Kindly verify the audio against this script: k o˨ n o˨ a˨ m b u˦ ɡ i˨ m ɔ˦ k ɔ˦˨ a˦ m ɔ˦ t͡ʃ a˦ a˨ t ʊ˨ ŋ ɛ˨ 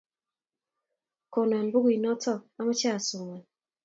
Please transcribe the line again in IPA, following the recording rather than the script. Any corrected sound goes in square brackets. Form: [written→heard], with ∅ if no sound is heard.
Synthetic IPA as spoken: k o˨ n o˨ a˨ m b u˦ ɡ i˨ [m→n] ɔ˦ [k→t] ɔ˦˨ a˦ m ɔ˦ t͡ʃ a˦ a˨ [t→s] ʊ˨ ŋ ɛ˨